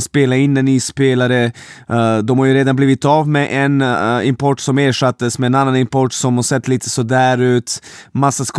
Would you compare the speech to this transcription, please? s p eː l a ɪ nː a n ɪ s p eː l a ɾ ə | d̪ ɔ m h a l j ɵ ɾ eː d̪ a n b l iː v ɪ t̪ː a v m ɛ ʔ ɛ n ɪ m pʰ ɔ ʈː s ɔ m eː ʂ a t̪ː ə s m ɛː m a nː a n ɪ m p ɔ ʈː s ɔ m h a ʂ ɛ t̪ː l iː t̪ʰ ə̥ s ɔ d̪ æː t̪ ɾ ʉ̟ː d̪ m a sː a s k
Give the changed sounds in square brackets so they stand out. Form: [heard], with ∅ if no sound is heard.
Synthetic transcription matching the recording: s p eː l a ɪ nː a n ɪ s p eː l a ɾ ə | d̪ ɔ m h a [ɾ] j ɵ ɾ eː d̪ a n b l iː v ɪ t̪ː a v m ɛ ʔ ɛ n ɪ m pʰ ɔ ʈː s ɔ m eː ʂ a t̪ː ə s m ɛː [n] a nː a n ɪ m p ɔ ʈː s ɔ m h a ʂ ɛ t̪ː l iː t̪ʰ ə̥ s ɔ d̪ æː [∅] ɾ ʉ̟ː [t̪] m a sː a s k